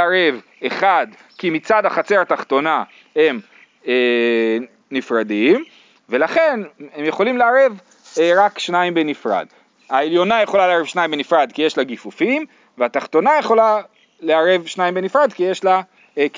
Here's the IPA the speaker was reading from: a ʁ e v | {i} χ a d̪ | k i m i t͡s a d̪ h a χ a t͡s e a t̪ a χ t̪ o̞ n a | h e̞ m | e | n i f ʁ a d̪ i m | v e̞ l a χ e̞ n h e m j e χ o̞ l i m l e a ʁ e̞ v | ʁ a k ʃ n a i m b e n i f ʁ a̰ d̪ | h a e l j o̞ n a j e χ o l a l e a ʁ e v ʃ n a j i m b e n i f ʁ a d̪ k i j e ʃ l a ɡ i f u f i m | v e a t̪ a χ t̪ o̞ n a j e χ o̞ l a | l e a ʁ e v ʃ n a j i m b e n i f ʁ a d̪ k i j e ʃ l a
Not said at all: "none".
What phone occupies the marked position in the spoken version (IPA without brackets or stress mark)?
e